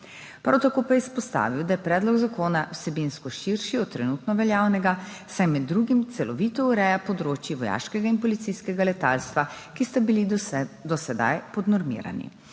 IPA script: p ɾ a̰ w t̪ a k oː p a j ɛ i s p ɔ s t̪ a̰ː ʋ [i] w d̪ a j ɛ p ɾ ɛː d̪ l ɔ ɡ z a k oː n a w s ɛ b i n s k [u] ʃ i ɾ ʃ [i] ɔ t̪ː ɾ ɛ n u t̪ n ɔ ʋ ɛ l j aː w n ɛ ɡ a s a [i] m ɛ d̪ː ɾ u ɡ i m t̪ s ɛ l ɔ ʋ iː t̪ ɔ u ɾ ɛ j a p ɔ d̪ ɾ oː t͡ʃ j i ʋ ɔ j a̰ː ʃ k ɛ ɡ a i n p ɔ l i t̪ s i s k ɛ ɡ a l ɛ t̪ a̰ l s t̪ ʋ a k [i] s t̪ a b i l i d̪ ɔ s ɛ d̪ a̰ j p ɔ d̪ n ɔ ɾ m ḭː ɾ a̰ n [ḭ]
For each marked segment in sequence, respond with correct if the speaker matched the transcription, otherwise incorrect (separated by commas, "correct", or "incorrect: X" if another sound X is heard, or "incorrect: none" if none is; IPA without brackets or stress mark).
correct, incorrect: ɔ, correct, incorrect: j, correct, correct